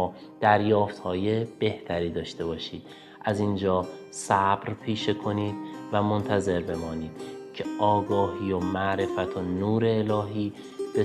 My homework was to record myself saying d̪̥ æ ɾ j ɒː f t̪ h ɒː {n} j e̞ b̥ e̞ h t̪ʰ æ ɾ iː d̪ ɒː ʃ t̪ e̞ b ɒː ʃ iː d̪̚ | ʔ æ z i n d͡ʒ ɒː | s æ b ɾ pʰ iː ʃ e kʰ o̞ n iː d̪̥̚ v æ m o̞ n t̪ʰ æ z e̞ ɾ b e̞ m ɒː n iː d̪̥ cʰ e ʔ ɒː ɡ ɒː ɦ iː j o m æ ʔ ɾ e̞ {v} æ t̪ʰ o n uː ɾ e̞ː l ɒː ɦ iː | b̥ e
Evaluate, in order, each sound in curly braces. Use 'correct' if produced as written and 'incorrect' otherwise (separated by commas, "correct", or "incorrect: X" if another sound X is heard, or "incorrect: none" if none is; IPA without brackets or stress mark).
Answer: incorrect: none, incorrect: f